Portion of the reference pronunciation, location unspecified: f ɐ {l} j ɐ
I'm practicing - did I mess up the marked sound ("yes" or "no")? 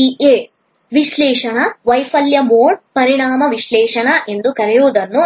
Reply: no